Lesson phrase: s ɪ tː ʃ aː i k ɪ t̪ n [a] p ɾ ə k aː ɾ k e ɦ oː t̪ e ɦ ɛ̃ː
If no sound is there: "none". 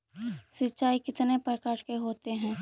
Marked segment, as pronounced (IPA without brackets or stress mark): e